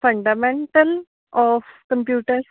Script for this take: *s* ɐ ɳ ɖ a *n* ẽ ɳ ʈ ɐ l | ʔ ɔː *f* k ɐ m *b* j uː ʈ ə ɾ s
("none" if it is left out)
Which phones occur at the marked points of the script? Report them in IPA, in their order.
f, m, f, p

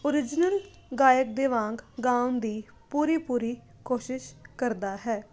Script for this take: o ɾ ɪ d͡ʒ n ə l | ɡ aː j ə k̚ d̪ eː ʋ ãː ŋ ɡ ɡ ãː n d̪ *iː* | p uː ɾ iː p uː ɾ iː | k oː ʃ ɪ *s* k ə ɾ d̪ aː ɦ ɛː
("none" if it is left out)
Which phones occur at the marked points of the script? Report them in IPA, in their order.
iː, ʃ

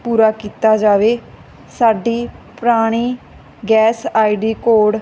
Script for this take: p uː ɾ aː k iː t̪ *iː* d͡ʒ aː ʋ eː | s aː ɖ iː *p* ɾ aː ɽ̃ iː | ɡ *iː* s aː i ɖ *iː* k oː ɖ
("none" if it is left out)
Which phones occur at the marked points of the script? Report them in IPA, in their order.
aː, p, ɛː, iː

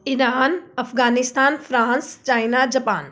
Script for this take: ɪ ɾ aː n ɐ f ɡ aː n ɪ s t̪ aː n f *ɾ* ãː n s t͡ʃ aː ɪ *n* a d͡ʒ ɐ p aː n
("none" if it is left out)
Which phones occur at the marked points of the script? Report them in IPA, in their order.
ɾ, n

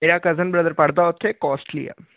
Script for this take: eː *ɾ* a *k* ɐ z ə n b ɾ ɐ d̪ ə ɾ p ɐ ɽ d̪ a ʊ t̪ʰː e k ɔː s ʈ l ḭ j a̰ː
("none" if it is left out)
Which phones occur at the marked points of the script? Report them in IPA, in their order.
ɾ, k

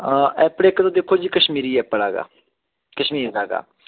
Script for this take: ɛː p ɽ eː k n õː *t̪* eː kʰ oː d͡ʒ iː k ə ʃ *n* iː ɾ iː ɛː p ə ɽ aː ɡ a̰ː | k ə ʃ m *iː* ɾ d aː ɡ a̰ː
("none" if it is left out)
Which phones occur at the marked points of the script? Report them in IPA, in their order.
d̪, m, iː

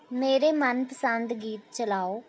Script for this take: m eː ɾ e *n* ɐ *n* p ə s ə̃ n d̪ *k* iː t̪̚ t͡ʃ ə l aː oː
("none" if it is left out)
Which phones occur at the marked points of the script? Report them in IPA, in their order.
m, n, ɡ

